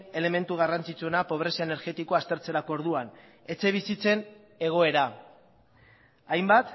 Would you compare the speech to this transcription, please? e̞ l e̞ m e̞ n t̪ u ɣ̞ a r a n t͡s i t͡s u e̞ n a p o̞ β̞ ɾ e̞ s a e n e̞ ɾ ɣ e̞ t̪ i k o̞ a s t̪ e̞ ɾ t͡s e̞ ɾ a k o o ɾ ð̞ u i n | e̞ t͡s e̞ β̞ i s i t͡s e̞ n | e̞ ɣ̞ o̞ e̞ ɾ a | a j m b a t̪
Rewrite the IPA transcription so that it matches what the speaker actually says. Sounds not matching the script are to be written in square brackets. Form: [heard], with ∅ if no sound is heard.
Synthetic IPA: e̞ l e̞ m e̞ n t̪ u ɣ̞ a r a n t͡s i t͡s u e̞ n a p o̞ β̞ ɾ e̞ s a e n e̞ ɾ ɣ e̞ t̪ i k o̞ a s t̪ e̞ ɾ t͡s e̞ ɾ a k o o ɾ ð̞ u [a] n | e̞ t͡s e̞ β̞ i s i t͡s e̞ n | e̞ ɣ̞ o̞ e̞ ɾ a | a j m b a t̪